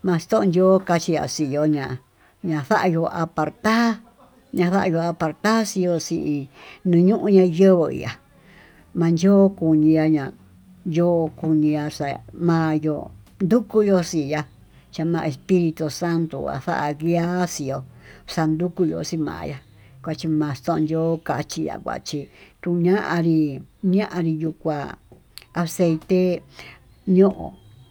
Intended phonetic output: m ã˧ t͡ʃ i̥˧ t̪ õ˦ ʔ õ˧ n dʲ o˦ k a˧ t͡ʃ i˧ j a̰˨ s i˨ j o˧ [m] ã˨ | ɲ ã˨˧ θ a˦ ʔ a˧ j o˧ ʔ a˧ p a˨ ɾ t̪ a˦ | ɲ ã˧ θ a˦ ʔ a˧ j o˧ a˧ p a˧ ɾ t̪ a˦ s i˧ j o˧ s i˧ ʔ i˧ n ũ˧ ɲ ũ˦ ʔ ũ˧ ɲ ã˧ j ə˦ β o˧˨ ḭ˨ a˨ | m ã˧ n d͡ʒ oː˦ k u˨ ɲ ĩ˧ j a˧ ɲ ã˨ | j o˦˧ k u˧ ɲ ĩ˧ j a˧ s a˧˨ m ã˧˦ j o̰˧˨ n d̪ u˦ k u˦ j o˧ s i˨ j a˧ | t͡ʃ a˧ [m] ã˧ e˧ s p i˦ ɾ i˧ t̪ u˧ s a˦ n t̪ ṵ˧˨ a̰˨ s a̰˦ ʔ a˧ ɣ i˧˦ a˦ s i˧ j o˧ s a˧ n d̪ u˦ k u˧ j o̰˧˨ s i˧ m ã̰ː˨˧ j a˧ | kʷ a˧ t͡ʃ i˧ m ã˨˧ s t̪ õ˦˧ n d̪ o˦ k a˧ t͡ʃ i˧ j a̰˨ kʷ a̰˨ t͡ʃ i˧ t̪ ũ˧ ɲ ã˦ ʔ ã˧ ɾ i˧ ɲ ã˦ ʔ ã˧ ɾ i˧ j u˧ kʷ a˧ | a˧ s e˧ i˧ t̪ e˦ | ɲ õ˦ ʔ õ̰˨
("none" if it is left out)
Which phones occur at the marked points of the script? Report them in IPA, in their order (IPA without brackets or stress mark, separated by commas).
ɲ, m